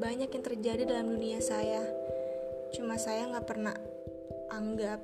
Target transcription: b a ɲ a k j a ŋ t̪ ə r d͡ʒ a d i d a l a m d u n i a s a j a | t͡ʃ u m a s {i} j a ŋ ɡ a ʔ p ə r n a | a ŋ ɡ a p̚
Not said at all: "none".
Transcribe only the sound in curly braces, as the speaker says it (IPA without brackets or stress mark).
a